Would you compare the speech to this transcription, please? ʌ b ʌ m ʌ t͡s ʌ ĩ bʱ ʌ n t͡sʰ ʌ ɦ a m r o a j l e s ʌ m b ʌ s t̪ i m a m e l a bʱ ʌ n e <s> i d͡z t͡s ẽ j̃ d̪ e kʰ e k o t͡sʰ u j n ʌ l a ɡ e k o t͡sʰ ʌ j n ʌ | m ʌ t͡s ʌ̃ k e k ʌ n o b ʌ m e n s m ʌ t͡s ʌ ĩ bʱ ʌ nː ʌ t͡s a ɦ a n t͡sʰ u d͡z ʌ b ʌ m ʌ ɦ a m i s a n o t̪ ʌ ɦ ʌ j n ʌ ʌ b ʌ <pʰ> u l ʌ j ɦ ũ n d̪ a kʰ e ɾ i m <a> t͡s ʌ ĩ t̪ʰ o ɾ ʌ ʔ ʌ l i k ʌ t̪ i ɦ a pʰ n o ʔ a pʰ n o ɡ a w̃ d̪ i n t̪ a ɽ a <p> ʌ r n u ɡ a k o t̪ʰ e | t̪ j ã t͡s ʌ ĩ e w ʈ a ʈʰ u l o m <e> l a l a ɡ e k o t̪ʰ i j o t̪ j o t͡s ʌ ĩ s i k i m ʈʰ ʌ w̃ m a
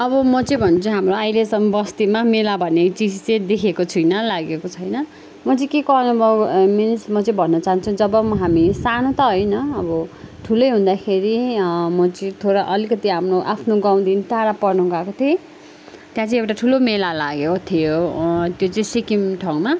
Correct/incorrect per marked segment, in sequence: incorrect: t͡s, incorrect: ʈʰ, incorrect: ʌ, correct, correct

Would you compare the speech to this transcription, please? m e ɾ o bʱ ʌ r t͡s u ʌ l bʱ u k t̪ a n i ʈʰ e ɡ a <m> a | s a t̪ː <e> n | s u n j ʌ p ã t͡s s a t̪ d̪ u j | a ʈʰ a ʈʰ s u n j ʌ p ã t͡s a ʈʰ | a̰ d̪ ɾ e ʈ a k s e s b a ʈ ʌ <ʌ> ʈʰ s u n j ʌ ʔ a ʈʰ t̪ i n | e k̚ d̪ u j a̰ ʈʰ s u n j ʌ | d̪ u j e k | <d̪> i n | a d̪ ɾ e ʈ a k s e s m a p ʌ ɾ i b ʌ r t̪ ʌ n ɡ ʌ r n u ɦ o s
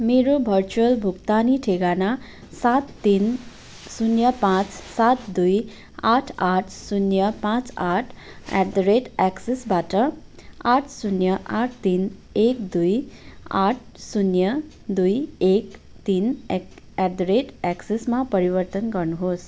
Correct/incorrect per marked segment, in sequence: incorrect: n, incorrect: i, incorrect: a, incorrect: t̪

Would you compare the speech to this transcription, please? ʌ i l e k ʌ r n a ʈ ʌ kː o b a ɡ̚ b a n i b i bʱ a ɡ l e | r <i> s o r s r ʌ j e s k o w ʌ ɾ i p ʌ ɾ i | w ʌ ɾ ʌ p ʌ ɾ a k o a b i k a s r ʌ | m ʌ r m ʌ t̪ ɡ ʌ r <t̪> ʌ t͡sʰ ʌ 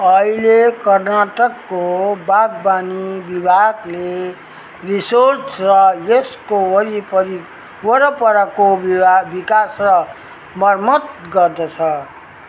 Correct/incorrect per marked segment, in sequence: correct, incorrect: d̪

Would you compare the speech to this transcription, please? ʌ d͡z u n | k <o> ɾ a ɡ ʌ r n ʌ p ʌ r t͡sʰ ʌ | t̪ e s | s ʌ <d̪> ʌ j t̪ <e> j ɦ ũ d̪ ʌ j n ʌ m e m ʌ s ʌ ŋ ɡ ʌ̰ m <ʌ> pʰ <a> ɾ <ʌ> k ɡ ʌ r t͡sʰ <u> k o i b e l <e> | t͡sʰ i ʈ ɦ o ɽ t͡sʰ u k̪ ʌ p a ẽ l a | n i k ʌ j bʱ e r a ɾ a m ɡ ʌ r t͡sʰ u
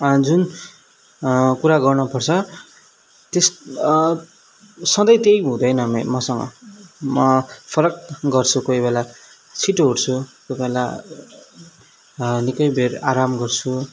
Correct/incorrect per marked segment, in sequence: incorrect: u, correct, correct, correct, incorrect: ʌ, correct, correct, incorrect: a

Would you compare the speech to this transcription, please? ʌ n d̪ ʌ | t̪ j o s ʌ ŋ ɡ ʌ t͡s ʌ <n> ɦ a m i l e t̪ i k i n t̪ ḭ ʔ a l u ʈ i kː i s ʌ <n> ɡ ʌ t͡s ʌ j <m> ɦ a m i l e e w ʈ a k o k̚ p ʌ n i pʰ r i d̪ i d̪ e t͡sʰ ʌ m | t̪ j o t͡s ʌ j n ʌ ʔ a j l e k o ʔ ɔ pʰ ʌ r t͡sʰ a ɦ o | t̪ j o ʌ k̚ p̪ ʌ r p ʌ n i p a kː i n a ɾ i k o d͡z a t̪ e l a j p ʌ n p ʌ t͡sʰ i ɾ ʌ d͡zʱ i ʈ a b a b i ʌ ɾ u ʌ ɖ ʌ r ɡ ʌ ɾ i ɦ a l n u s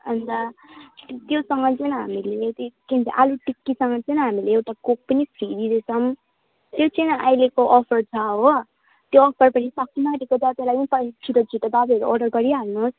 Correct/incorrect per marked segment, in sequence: correct, incorrect: ŋ, incorrect: n

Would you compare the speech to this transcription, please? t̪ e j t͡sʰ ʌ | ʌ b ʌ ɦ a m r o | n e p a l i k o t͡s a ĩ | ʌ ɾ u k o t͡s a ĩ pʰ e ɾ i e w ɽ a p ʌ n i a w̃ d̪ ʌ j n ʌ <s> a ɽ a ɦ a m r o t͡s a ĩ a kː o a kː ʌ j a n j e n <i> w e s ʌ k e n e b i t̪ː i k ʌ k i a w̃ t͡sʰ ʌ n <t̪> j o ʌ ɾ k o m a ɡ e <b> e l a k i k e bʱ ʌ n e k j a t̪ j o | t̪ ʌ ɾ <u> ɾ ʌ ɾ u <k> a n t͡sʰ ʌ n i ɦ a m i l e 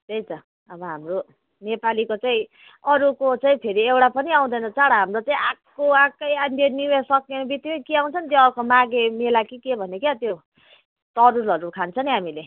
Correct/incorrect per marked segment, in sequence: incorrect: t͡s, correct, correct, incorrect: m, correct, incorrect: kʰ

